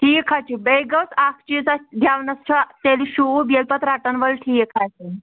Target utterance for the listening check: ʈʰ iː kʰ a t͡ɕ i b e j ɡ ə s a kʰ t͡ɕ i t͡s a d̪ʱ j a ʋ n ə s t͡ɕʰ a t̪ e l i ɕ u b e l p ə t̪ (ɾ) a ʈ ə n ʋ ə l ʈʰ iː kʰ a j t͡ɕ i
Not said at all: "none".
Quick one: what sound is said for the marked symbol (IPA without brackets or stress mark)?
ɾ